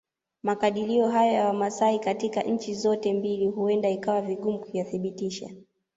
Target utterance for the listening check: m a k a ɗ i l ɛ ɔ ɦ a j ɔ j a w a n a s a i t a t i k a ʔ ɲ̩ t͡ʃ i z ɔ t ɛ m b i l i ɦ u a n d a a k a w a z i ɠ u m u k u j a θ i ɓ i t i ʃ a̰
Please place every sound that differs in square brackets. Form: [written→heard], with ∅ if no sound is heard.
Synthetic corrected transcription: m a k a ɗ i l [ɛ→i] ɔ ɦ a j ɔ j a w a [n→m] a s a i [t→k] a t i k a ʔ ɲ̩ t͡ʃ i z ɔ t ɛ m b i l i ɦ u [a→ɛ] n d a [a→i] k a w a [z→v] i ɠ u m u k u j a θ i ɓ i t i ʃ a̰